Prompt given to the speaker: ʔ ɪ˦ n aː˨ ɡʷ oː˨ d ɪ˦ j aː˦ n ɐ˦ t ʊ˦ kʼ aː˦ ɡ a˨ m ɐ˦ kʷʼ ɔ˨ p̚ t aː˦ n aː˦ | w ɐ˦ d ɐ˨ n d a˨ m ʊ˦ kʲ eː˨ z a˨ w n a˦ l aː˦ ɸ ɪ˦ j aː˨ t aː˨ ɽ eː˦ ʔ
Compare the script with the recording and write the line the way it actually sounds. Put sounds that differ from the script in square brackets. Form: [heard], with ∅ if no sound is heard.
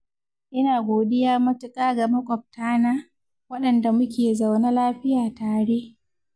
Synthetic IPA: ʔ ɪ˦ n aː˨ ɡʷ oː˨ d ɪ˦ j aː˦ [m] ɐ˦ t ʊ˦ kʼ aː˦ ɡ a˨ m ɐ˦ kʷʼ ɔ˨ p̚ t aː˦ n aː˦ | w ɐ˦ [ɗ] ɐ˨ n d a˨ m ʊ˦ kʲ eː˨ z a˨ w n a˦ l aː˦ ɸ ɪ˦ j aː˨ t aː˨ ɽ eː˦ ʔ